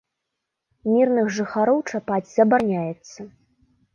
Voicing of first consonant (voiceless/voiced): voiced